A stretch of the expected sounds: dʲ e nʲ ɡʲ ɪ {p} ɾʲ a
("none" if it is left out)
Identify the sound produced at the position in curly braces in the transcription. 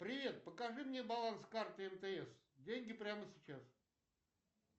p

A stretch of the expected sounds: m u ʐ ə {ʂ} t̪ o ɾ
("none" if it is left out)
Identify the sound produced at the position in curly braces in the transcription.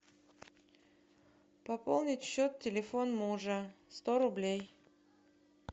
s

